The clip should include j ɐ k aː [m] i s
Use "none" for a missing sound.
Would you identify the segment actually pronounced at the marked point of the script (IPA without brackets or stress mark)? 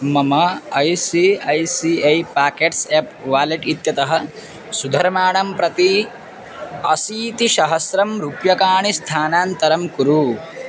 ɳ